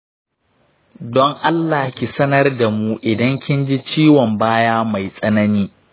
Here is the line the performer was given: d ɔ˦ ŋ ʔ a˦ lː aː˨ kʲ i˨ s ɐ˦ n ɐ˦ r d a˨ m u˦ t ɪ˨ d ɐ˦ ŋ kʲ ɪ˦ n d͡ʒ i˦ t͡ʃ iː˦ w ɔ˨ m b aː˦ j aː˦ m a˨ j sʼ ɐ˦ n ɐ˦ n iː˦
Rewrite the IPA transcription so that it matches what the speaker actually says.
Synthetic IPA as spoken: d ɔ˦ ŋ ʔ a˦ lː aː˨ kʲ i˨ s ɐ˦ n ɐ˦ r d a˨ m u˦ ʔ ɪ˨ d ɐ˦ ŋ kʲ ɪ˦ n d͡ʒ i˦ t͡ʃ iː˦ w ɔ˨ m b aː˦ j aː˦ m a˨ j sʼ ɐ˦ n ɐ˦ n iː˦